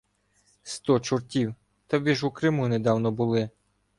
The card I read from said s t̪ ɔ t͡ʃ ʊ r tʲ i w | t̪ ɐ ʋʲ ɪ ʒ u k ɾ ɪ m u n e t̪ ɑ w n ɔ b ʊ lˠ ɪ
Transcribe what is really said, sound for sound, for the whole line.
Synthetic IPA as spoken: s t̪ ɔ t͡ʃ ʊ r tʲ i w | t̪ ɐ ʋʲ i ʒ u k ɾ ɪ m u n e d̪ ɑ w n ɔ b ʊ lˠ ɪ